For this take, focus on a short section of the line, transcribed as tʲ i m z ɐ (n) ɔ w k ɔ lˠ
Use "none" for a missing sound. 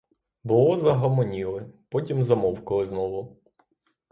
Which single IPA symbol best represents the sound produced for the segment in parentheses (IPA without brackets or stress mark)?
m